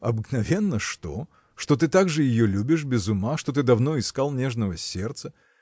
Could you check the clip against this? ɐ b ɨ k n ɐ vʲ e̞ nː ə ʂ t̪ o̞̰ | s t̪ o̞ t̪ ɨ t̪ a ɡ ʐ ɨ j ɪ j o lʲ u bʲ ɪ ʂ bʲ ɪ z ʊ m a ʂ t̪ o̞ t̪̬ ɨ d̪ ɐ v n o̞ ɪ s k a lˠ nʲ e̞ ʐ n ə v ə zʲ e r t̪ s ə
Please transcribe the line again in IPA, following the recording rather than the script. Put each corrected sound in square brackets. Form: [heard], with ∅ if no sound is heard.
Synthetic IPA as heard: ɐ b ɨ k n ɐ vʲ e̞ nː ə ʂ t̪ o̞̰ | [ʂ] t̪ o̞ t̪ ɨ t̪ a ɡ ʐ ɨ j ɪ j o lʲ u bʲ ɪ ʂ bʲ ɪ z ʊ m a ʂ t̪ o̞ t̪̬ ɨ d̪ ɐ v n o̞ ɪ s k a lˠ nʲ e̞ ʐ n ə v ə [sʲ] e r t̪ s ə

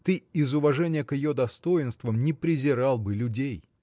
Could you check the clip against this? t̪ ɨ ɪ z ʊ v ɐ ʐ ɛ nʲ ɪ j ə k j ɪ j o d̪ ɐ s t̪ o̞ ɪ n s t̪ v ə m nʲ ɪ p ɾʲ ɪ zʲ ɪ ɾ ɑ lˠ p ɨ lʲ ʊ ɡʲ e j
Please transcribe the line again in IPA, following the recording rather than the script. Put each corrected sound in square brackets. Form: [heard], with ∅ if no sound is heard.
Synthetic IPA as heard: t̪ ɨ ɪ z ʊ v ɐ ʐ ɛ nʲ ɪ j ə k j ɪ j o d̪ ɐ s t̪ o̞ ɪ n s t̪ v ə m nʲ ɪ p ɾʲ ɪ zʲ ɪ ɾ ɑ lˠ [b] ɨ lʲ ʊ [dʲ] e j

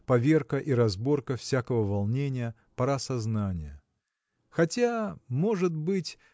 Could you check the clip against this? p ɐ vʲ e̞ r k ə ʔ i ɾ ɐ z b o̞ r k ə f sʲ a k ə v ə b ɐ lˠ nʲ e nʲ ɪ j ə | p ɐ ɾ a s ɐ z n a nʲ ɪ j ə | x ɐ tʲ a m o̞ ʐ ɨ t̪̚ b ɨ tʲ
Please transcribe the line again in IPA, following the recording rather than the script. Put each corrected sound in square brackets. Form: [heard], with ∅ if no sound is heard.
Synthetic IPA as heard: p ɐ vʲ e̞ r k ə ʔ i ɾ ɐ z b o̞ r k ə f sʲ a k ə v ə [v] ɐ lˠ nʲ e nʲ ɪ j ə | p ɐ ɾ a s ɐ z n a nʲ ɪ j ə | x ɐ tʲ a m o̞ ʐ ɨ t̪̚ b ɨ tʲ

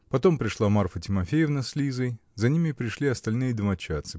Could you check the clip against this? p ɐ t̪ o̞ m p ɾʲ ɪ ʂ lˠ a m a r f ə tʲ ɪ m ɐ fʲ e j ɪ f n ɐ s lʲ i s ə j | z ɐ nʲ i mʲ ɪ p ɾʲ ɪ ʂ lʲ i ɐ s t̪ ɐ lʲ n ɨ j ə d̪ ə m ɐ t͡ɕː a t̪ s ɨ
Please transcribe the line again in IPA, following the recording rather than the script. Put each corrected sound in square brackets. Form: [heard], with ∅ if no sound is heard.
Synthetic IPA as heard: p ɐ t̪ o̞ m p ɾʲ ɪ ʂ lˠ a m a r f ə tʲ ɪ m ɐ fʲ e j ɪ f n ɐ s lʲ i [z] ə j | z ɐ nʲ i mʲ ɪ p ɾʲ ɪ ʂ lʲ i ɐ s t̪ ɐ lʲ n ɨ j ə d̪ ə m ɐ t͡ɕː a t̪ s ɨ

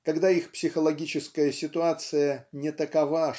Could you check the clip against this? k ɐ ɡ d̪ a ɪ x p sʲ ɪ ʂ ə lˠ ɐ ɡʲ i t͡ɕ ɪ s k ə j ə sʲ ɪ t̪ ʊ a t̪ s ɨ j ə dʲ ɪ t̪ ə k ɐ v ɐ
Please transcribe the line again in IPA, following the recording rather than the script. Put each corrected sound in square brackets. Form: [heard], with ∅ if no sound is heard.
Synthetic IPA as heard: k ɐ ɡ d̪ a [i] x p sʲ ɪ [x] ə lˠ ɐ ɡʲ i t͡ɕ ɪ s k ə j ə sʲ ɪ t̪ ʊ a t̪ s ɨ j ə [nʲ] ɪ t̪ ə k ɐ v [a]

